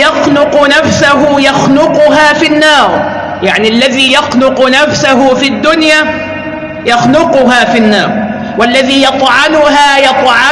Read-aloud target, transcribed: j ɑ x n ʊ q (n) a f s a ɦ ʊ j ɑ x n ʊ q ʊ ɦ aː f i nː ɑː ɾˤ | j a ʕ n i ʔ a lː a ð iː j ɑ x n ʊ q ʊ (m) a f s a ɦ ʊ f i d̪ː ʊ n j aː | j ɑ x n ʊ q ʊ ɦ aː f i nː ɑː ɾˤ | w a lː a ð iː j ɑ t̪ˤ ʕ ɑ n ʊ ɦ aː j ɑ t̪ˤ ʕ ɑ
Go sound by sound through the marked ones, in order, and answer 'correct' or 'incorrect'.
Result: correct, incorrect: n

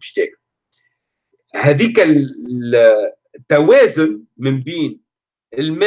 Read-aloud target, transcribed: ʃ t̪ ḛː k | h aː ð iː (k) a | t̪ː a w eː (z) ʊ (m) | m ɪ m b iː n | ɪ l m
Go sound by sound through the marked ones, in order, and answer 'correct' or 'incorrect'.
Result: correct, correct, incorrect: n

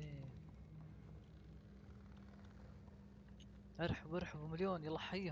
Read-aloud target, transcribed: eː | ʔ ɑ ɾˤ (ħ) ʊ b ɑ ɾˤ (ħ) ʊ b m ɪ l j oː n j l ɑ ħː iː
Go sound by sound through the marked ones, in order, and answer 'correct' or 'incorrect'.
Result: correct, correct

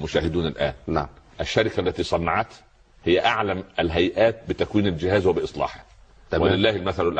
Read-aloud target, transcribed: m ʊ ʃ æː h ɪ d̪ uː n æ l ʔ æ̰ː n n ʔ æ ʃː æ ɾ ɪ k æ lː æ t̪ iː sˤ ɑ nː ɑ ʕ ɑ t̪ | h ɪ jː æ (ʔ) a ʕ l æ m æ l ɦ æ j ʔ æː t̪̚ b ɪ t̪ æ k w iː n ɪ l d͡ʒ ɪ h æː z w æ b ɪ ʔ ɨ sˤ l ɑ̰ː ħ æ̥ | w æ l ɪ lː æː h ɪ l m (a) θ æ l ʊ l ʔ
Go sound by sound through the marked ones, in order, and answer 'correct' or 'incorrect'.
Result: correct, incorrect: æ

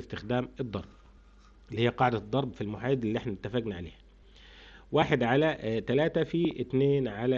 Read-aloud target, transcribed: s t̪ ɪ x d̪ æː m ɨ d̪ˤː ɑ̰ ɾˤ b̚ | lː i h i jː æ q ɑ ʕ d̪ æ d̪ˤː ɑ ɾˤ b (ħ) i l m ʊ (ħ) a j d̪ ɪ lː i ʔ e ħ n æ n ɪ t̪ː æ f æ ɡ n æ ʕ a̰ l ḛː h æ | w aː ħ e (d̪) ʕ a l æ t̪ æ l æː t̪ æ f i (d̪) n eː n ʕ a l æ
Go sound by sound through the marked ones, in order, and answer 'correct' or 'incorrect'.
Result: incorrect: f, correct, correct, incorrect: t̪

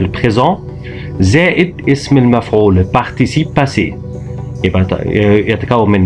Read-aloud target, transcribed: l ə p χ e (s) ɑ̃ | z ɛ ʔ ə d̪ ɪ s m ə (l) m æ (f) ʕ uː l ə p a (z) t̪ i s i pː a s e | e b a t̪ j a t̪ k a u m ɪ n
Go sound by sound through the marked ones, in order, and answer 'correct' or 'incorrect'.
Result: incorrect: z, correct, correct, incorrect: ʁ

